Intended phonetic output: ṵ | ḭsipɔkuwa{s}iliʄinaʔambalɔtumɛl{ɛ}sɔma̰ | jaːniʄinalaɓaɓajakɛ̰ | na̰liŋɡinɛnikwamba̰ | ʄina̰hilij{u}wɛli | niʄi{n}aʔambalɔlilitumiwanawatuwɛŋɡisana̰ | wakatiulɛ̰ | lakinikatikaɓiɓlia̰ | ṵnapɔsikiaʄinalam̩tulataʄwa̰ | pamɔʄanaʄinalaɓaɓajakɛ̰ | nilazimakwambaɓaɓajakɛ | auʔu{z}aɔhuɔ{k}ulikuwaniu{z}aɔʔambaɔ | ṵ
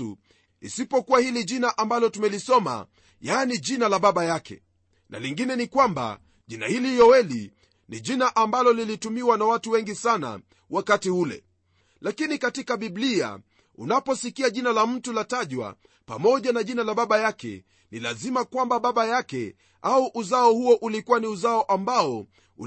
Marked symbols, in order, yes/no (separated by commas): no, no, no, yes, yes, no, yes